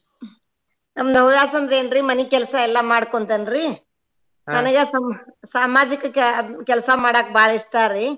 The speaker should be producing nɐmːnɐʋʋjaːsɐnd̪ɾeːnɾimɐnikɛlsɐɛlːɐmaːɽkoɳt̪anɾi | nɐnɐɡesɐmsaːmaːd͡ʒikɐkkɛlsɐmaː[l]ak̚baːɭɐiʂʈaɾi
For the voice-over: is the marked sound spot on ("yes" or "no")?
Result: no